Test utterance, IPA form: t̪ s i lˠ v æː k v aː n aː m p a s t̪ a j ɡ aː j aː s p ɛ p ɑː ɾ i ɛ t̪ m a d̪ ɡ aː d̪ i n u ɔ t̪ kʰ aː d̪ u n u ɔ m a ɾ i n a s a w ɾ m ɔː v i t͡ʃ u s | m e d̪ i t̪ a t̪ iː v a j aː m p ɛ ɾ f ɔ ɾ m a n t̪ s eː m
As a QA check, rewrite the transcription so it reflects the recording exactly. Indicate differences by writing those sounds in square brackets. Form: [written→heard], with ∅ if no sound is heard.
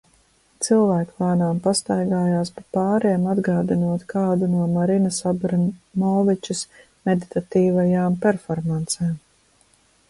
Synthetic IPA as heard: t̪ s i lˠ v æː k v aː n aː m p a s t̪ a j ɡ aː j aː s p [ɛ→a] p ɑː ɾ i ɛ [t̪→∅] m a d̪ ɡ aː d̪ i n u ɔ t̪ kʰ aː d̪ u n u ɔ m a ɾ i n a s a [w→b] ɾ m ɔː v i t͡ʃ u s | m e d̪ i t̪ a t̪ iː v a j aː m p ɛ ɾ f ɔ ɾ m a n t̪ s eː m

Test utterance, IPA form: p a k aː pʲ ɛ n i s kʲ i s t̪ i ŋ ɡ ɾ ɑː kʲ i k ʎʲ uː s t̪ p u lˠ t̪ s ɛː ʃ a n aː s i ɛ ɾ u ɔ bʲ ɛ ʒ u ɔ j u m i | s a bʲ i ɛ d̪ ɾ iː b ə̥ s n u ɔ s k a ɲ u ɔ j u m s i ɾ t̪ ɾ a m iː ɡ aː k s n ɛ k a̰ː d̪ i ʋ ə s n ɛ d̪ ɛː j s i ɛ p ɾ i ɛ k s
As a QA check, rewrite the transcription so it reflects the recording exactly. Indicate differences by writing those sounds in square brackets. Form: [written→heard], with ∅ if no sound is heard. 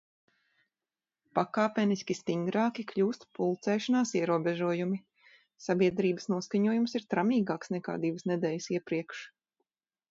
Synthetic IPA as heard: p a k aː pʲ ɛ n i s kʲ i s t̪ i ŋ ɡ ɾ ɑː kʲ i k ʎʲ uː s t̪ p u lˠ t̪ s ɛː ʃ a n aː s i ɛ ɾ u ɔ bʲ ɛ ʒ u ɔ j u m i | s a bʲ i ɛ d̪ ɾ iː b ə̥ s n u ɔ s k a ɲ u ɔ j u m s i ɾ t̪ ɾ a m iː ɡ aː k s n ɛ k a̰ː d̪ i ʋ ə s n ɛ d̪ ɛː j s i ɛ p ɾ i ɛ k [s→ʃ]

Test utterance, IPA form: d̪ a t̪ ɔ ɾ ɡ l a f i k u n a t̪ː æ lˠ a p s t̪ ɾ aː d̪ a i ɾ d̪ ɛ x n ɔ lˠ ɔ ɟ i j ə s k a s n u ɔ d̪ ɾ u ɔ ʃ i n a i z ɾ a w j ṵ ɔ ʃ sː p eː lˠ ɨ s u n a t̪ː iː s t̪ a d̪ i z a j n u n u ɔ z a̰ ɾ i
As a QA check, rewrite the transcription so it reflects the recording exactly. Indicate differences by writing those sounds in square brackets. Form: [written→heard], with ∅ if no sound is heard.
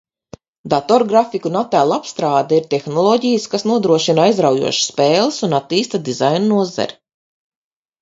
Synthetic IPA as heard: d̪ a t̪ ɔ ɾ ɡ [l→ɾ] a f i k u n a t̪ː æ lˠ a p s t̪ ɾ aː d̪ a i ɾ [d̪→t̪] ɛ x n ɔ lˠ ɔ ɟ i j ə s k a s n u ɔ d̪ ɾ u ɔ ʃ i n a [i→j] z ɾ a w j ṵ ɔ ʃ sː p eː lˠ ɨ s u n a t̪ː iː s t̪ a d̪ i z a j n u n u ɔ z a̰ ɾ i

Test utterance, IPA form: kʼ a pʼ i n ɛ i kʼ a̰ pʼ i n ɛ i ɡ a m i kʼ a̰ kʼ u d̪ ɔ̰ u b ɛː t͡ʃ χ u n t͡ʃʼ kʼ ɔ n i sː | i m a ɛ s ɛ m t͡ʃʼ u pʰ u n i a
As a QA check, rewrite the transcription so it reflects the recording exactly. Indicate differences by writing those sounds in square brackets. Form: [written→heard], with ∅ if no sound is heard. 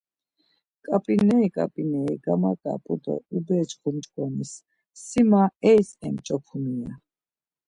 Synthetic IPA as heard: kʼ a pʼ i n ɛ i kʼ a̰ pʼ i n ɛ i ɡ a m [i→a] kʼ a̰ [kʼ→pʼ] u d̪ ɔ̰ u b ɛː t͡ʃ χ u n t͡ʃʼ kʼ ɔ n i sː | i m a ɛ s ɛ m t͡ʃʼ [u→ɔ] pʰ u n i a

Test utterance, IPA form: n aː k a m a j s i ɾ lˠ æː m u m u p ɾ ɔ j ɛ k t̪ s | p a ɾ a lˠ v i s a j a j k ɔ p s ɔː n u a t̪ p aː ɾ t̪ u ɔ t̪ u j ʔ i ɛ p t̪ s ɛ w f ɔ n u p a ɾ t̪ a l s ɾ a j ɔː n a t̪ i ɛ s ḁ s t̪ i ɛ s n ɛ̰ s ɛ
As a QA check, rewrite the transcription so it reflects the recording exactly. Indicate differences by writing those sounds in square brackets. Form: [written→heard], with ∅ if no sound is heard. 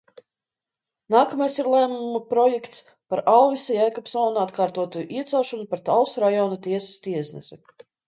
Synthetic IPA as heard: n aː k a m a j s i ɾ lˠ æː m u m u p ɾ ɔ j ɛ k t̪ s | p a ɾ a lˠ v i s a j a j k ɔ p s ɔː n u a t̪ [p→k] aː ɾ t̪ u ɔ t̪ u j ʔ i ɛ [p→∅] t̪ s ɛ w [f→ʃ] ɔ n u p a ɾ t̪ a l s ɾ a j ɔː n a t̪ i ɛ s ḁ s t̪ i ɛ s n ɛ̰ s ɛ

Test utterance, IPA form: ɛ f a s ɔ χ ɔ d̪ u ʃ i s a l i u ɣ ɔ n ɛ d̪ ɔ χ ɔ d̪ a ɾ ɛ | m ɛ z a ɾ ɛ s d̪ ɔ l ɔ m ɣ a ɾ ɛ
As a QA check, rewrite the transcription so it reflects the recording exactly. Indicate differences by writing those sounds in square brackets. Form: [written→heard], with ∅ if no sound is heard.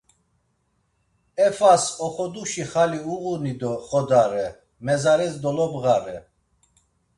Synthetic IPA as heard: ɛ f a s ɔ χ ɔ d̪ u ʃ i [s→χ] a l i u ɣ [ɔ→u] n [ɛ→i] d̪ ɔ χ ɔ d̪ a ɾ ɛ | m ɛ z a ɾ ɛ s d̪ ɔ l ɔ [m→b] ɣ a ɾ ɛ

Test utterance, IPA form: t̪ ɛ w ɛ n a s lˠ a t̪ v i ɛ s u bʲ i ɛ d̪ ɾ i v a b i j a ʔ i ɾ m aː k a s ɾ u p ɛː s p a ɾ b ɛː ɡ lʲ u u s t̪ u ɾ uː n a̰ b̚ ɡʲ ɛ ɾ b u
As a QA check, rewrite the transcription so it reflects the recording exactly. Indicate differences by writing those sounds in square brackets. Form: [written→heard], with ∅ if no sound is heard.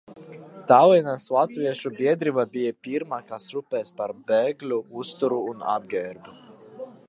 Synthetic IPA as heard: t̪ [ɛ→a] w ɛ n a s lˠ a t̪ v i ɛ [s→ʃ] u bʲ i ɛ d̪ ɾ i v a b i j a [ʔ→p] i ɾ m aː k a s ɾ u p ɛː s p a ɾ b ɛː ɡ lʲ u u s t̪ u ɾ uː n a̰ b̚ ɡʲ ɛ ɾ b u

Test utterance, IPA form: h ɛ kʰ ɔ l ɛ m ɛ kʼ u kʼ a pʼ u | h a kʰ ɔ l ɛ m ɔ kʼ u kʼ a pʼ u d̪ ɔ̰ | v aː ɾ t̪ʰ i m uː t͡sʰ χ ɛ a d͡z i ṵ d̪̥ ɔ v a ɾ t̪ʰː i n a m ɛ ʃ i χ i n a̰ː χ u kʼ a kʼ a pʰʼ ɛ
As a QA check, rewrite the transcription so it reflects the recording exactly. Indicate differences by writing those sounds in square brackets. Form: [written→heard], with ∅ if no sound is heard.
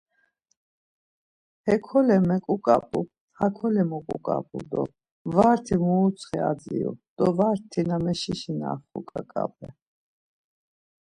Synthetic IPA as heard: h ɛ kʰ ɔ l ɛ m ɛ kʼ u kʼ a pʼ u | h a kʰ ɔ l ɛ m ɔ kʼ u kʼ a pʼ u d̪ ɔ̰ | v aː ɾ t̪ʰ i m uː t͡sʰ χ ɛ a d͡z i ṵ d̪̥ ɔ v a ɾ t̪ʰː i n a m ɛ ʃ i [χ→ʃ] i n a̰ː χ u kʼ a kʼ a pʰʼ ɛ

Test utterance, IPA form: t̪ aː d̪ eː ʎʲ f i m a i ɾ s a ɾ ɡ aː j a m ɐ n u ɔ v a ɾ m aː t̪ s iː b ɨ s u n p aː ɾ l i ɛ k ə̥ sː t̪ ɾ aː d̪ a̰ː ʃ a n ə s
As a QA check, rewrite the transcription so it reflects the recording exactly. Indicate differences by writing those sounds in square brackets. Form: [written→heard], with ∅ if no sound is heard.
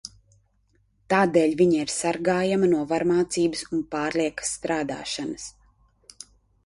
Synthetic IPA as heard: t̪ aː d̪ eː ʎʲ [f→v] i [m→ɲ] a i ɾ s a ɾ ɡ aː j a m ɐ n u ɔ v a ɾ m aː t̪ s iː b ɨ s u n p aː ɾ l i ɛ k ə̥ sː t̪ ɾ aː d̪ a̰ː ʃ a n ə s

